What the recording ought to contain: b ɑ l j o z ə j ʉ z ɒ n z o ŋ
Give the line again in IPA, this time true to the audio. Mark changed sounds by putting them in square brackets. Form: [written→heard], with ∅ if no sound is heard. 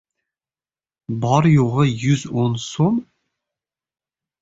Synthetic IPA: b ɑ [l→ɾ] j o [z→ʁ] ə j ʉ z [ɒ→o] n [z→s] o [ŋ→m]